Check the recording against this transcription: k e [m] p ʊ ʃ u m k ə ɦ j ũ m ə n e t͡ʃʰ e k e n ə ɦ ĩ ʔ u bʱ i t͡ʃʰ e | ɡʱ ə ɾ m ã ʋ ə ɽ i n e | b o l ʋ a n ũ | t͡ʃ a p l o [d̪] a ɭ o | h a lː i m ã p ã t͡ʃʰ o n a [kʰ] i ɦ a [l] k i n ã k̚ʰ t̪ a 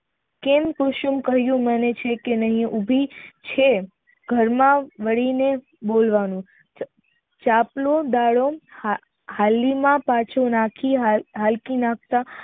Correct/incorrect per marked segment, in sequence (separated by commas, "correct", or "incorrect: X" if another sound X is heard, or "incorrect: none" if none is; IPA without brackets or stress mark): correct, correct, correct, correct